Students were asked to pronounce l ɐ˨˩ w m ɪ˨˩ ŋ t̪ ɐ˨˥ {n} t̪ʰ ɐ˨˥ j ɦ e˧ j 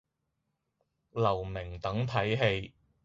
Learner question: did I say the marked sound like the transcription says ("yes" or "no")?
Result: no